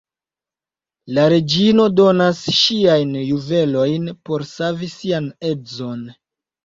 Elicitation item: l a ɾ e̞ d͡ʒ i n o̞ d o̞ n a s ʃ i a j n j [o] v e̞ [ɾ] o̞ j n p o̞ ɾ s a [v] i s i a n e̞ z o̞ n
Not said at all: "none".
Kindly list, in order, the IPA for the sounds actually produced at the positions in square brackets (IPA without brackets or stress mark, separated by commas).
u, l, v